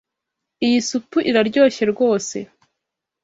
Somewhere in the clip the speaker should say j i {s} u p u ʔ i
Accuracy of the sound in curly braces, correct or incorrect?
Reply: correct